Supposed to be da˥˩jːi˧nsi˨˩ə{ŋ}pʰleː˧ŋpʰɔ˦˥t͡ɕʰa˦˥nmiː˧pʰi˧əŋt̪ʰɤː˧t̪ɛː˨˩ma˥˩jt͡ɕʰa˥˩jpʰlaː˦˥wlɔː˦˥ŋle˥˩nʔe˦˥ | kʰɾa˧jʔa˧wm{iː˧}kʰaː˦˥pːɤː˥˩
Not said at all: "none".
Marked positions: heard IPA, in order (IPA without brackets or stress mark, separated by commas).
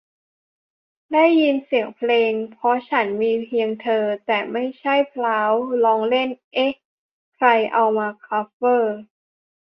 ŋ, aː˧